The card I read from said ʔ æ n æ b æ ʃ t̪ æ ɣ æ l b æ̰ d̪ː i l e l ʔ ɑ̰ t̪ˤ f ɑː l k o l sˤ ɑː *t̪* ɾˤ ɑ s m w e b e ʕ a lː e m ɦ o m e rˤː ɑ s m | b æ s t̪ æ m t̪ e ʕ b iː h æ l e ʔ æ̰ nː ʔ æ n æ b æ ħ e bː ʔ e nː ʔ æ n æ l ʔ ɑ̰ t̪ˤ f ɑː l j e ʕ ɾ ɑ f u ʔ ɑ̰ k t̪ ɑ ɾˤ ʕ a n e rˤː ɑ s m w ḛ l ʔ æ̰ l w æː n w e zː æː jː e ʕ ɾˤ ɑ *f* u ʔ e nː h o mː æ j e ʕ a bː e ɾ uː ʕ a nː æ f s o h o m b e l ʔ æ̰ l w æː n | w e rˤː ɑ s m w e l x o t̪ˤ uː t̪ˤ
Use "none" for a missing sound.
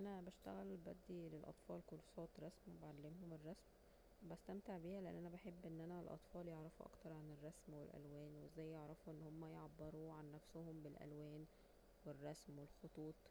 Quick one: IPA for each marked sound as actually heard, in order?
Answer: t̪, f

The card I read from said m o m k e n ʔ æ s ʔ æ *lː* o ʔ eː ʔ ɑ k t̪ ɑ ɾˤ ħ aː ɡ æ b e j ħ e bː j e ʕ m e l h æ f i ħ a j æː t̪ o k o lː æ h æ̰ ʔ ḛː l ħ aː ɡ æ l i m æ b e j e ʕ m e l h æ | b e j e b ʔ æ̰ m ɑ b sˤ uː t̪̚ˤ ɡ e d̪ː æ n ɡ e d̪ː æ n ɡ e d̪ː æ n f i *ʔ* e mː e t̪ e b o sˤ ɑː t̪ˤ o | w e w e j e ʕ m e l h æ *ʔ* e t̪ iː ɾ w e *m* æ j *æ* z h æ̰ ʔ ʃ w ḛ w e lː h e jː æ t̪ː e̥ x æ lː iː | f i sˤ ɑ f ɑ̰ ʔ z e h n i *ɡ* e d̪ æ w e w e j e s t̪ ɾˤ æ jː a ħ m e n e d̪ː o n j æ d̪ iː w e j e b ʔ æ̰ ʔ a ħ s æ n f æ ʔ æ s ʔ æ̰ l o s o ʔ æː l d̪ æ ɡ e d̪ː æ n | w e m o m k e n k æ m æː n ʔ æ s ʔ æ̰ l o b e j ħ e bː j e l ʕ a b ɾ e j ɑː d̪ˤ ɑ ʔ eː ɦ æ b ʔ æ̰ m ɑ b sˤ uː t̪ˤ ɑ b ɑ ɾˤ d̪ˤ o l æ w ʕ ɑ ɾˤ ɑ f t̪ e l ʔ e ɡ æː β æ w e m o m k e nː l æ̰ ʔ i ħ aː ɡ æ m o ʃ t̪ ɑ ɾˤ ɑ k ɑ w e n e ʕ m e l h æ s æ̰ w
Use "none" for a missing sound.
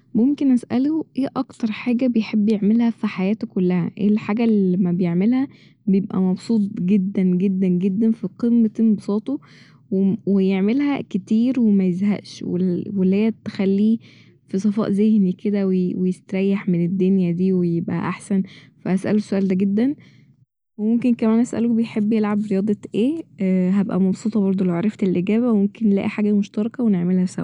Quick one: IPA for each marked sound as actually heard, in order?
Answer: l, q, k, m, e, k

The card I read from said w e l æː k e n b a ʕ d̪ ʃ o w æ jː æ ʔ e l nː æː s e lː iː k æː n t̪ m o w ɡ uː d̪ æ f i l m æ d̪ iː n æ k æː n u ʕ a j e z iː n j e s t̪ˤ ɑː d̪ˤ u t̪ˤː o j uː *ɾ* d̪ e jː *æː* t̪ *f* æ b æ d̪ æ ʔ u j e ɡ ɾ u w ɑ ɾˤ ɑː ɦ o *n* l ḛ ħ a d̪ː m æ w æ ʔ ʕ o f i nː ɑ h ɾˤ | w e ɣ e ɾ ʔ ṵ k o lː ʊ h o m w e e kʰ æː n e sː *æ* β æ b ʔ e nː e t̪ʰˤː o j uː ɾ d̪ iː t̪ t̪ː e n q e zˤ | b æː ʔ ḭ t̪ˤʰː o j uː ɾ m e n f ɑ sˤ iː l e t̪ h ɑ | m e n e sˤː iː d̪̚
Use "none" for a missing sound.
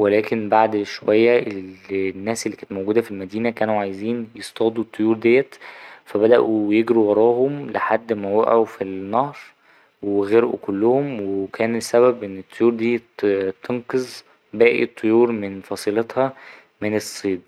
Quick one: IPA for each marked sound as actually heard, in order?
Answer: ɾ, æ, f, m, æ

